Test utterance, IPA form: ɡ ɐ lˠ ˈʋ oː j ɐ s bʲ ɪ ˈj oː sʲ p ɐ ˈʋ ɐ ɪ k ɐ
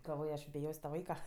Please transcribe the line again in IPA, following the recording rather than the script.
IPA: ɡ ɐ lˠ ˈʋ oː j ɐ ʃ bʲ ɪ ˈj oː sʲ t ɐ ˈʋ ɐ ɪ k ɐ